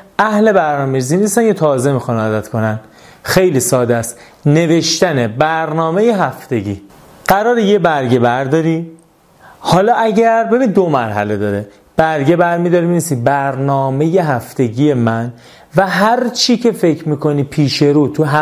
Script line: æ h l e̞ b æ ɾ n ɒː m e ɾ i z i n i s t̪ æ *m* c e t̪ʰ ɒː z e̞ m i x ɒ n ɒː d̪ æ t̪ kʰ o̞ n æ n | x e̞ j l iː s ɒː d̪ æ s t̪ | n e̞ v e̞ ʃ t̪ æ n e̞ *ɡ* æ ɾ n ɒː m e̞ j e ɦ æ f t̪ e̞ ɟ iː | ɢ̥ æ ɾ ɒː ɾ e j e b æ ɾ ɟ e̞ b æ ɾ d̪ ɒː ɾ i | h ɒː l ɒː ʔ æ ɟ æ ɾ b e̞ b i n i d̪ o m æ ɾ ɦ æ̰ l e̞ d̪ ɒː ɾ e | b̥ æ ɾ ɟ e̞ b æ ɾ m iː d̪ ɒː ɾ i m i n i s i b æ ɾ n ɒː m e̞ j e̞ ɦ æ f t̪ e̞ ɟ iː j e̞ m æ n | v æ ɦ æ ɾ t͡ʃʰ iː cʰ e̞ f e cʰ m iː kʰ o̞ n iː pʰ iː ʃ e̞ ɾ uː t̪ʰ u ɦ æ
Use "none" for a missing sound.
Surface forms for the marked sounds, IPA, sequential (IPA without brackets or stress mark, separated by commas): n, b